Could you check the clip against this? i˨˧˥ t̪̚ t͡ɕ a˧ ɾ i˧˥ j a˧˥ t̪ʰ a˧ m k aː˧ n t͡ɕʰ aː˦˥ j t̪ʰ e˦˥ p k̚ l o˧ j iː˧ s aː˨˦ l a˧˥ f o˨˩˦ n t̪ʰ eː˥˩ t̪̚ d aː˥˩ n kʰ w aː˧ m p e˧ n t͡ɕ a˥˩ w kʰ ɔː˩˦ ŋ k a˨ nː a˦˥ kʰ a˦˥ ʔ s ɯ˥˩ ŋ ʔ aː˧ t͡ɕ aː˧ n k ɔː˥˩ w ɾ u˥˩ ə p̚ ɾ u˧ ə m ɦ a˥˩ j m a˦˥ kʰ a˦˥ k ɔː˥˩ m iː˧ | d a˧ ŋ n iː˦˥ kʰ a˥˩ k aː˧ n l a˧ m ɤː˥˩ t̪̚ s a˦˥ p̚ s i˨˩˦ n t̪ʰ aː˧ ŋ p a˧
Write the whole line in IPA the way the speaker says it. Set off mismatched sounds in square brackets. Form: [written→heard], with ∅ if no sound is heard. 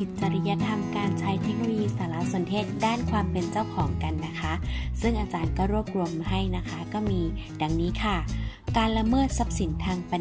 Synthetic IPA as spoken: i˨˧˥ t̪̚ t͡ɕ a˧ ɾ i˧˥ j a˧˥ t̪ʰ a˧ m k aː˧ n t͡ɕʰ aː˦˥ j t̪ʰ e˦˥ [p→∅] k̚ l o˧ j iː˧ s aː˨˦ l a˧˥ [f→s] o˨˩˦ n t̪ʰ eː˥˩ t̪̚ d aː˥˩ n kʰ w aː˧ m p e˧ n t͡ɕ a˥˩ w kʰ ɔː˩˦ ŋ k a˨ nː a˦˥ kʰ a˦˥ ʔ s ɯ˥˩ ŋ ʔ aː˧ t͡ɕ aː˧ n k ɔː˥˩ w ɾ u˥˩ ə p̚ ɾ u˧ ə m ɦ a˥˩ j [m→n] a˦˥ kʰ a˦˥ k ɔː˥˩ m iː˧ | d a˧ ŋ n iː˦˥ kʰ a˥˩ k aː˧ n l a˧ m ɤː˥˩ t̪̚ s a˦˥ p̚ s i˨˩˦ n t̪ʰ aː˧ ŋ p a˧